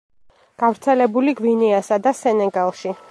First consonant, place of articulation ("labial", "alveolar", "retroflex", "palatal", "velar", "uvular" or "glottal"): velar